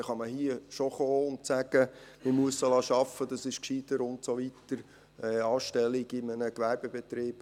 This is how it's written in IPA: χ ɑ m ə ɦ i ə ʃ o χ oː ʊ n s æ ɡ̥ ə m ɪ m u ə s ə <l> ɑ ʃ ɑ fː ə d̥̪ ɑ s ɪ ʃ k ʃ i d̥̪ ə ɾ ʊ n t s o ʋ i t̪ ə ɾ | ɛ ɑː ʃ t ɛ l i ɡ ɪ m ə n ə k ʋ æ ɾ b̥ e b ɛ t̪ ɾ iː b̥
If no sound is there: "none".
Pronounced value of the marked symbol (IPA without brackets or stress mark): l